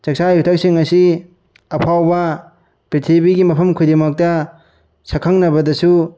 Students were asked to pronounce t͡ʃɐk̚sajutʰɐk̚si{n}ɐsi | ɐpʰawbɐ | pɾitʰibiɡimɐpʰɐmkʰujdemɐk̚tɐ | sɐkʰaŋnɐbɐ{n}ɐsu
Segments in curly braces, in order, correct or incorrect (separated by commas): incorrect, incorrect